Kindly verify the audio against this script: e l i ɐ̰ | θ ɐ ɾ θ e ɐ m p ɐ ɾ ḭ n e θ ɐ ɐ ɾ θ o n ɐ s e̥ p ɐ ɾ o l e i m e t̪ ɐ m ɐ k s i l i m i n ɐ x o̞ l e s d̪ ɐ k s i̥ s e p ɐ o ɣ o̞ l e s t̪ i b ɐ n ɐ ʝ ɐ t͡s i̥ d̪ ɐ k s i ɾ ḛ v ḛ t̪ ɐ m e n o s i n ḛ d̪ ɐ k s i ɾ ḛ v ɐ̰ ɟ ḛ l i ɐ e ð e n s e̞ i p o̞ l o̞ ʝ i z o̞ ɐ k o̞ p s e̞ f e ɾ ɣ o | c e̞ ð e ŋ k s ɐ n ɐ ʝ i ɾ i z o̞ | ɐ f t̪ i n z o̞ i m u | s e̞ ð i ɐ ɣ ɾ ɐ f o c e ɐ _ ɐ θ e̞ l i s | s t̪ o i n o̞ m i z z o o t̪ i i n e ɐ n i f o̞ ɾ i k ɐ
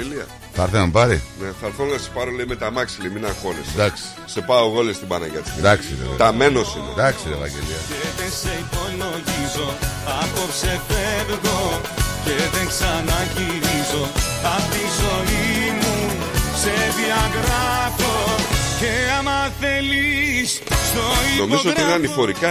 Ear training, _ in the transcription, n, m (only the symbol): m